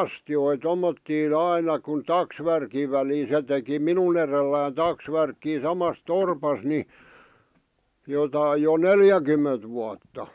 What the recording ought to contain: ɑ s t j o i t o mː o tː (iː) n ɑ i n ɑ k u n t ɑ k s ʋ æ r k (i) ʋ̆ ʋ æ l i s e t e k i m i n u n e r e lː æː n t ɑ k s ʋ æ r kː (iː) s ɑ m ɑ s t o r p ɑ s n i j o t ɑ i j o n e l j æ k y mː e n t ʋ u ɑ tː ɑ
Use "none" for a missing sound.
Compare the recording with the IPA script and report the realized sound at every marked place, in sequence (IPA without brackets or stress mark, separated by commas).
iː, i, iː